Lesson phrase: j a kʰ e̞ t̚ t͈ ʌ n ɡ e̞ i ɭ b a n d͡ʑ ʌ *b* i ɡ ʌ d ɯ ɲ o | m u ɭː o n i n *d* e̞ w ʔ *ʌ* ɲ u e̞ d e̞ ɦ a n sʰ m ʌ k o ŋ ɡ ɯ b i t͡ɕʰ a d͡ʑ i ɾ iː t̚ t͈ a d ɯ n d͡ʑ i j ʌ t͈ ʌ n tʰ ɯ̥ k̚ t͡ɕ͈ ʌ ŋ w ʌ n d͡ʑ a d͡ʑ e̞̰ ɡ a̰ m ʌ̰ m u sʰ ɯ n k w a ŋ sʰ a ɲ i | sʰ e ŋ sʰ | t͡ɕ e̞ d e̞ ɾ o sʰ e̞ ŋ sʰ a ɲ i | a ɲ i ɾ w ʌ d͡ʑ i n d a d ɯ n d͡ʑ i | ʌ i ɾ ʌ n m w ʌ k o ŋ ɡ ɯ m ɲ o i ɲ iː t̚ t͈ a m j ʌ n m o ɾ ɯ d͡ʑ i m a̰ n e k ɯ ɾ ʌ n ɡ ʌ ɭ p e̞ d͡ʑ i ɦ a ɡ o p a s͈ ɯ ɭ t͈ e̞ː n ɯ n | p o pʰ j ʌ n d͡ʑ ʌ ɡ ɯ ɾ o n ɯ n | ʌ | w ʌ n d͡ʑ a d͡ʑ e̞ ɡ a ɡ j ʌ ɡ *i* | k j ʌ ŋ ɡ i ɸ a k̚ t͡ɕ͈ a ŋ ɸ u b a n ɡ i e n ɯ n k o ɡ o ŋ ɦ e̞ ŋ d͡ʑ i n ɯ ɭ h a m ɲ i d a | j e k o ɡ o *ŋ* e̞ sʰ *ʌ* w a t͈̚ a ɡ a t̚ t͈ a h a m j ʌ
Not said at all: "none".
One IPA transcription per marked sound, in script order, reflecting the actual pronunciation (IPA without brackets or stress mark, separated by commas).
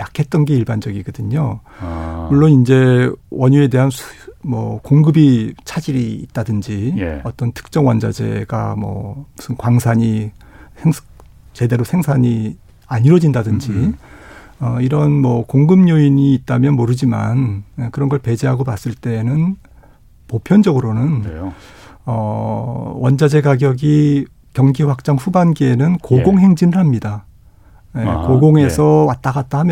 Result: ɡ, d͡ʑ, ʌ, i, ŋ, ʌ